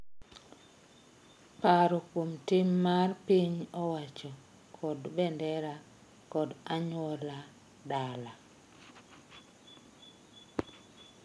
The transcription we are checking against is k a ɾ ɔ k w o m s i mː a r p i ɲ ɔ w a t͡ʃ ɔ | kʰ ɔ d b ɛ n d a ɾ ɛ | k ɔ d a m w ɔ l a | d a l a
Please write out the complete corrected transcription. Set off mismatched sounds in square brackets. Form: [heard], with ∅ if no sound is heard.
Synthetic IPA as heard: [p] a ɾ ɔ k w o m [t] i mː a r p i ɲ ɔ w a t͡ʃ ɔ | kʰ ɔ d b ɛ n d [ɛ] ɾ [a] | k ɔ d a [ɲ] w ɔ l a | d a l a

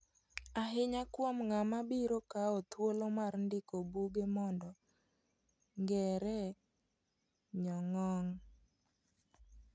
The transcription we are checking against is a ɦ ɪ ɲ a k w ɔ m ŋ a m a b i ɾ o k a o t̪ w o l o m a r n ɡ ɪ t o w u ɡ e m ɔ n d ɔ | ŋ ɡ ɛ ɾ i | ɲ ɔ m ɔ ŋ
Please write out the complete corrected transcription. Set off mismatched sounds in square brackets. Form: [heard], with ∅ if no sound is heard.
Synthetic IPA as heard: a ɦ ɪ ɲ a k w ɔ m ŋ a m a b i ɾ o k a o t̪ w o l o m a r n [d] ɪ [k] o [b] u ɡ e m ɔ n d ɔ | ŋ ɡ ɛ ɾ [ɛ] | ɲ ɔ [ŋ] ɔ ŋ

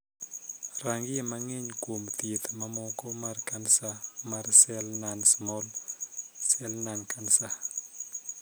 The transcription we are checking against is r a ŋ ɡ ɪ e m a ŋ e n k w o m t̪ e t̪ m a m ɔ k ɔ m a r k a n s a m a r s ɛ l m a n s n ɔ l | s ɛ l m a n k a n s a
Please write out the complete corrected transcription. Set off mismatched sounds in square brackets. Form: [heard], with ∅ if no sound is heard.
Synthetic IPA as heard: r a ŋ ɡ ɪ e m a ŋ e [ɲ] k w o m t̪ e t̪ m a m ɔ k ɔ m a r k a n s a m a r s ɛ l [n] a n s [m] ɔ l | s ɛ l [n] a n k a n s a

